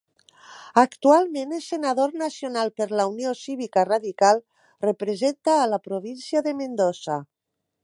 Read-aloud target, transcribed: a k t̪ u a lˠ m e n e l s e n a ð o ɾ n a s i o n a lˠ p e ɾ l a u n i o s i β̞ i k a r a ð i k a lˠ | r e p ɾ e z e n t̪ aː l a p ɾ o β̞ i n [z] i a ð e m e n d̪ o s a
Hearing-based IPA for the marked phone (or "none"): s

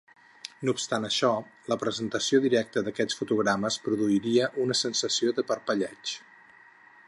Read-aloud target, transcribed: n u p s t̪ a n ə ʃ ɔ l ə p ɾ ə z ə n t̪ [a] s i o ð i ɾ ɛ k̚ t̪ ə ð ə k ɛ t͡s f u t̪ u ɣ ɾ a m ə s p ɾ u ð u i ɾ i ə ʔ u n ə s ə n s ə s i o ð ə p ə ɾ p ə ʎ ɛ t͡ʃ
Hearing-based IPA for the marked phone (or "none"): ə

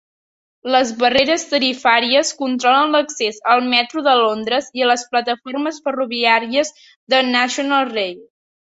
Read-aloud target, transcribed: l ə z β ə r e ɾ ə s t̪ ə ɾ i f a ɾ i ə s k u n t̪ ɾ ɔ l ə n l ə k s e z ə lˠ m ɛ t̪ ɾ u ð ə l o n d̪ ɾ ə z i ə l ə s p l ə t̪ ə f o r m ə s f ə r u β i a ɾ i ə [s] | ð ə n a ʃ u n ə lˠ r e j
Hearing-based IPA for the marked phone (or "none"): z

